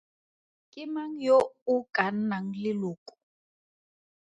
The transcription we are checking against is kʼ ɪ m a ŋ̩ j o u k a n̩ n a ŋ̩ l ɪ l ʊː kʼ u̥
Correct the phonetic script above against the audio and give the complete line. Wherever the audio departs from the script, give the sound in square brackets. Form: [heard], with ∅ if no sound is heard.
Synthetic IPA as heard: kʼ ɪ m a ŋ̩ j o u k a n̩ n a ŋ̩ l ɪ l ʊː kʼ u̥